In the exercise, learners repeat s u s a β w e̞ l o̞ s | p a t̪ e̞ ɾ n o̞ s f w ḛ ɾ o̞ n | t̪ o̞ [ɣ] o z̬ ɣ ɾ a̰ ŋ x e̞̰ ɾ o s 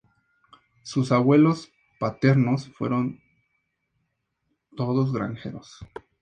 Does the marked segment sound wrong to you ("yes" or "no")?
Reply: yes